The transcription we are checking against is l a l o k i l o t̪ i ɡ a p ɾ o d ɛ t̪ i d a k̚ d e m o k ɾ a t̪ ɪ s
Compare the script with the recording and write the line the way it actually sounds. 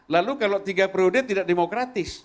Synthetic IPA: l a l u k a l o t̪ i ɡ a p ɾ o d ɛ t̪ i d a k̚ d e m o k ɾ a t̪ ɪ s